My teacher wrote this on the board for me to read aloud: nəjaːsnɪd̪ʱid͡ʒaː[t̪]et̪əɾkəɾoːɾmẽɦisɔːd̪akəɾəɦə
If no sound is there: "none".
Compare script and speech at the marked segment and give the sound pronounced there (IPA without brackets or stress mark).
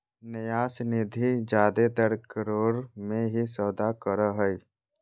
d̪